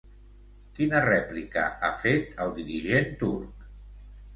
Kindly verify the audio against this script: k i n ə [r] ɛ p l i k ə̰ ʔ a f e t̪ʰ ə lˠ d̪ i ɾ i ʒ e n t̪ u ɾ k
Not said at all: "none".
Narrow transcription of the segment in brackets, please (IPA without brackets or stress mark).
r